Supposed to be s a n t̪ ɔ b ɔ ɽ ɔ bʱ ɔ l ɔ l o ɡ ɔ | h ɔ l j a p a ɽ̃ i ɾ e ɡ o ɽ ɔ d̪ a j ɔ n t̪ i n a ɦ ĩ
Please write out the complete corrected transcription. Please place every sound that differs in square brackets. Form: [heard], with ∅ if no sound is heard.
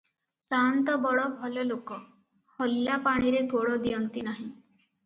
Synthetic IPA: s a n t̪ ɔ b ɔ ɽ ɔ bʱ ɔ l ɔ l o [k] ɔ | h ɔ l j a p a ɽ̃ i ɾ e ɡ o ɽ ɔ d̪ [i] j ɔ n t̪ i n a ɦ ĩ